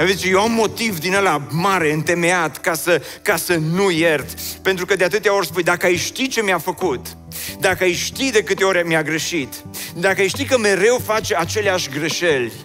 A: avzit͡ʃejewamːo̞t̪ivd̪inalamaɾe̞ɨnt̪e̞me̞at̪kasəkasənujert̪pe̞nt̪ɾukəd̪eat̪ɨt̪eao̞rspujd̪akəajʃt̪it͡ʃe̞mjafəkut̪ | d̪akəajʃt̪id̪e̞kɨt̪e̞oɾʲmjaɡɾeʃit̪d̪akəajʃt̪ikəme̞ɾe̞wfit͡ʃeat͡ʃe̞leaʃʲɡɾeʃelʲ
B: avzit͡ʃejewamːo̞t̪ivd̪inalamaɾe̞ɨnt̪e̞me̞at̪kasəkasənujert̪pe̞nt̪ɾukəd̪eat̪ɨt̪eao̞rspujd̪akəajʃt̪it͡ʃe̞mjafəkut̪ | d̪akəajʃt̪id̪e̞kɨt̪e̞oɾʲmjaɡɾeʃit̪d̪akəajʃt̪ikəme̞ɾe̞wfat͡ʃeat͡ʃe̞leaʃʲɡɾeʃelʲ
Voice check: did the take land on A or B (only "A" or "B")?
B